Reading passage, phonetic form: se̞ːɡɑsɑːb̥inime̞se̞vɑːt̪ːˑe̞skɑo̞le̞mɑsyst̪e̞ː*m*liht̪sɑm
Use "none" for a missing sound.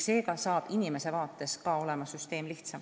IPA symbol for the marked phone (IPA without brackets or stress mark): m